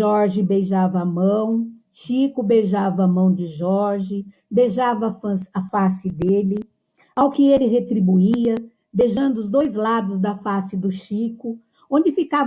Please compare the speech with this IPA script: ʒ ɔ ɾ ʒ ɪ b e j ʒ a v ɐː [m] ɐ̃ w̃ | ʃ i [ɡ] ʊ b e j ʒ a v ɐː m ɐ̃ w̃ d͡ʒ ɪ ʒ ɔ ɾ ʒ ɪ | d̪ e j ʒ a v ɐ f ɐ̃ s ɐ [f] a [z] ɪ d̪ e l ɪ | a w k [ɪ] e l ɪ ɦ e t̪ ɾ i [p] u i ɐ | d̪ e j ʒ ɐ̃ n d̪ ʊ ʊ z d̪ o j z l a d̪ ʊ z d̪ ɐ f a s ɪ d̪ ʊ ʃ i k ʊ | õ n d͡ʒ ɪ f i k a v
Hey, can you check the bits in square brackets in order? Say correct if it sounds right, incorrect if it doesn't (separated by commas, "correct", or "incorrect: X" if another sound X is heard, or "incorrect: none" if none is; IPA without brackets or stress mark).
correct, incorrect: k, correct, incorrect: s, correct, incorrect: b